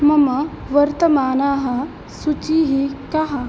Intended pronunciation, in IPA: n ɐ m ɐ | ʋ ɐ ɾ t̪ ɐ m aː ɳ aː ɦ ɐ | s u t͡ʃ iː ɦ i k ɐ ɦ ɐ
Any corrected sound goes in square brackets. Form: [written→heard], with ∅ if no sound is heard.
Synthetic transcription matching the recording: [n→m] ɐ m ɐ | ʋ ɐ ɾ t̪ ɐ m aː [ɳ→n] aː ɦ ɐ | s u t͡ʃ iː ɦ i k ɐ ɦ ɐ